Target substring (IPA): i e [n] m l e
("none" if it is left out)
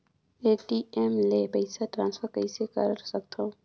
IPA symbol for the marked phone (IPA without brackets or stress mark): none